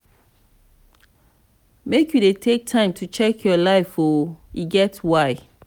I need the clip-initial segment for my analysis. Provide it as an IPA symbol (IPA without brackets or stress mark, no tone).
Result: m